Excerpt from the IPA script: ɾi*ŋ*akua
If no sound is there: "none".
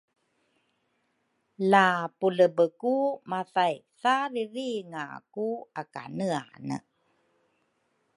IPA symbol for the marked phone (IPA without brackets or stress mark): ŋ